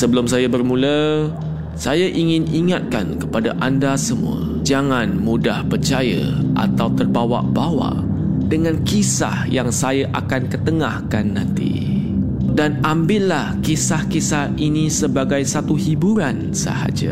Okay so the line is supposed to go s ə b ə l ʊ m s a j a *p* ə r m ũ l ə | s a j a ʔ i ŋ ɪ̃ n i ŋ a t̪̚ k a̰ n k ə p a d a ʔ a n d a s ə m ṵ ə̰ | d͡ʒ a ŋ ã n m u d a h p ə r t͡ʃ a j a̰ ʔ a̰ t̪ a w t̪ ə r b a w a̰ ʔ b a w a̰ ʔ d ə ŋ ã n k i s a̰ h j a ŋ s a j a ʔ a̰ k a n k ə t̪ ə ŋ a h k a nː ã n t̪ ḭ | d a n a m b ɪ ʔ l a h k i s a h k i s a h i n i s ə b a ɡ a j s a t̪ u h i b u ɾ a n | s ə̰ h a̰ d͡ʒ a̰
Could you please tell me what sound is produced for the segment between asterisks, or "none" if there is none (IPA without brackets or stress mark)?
b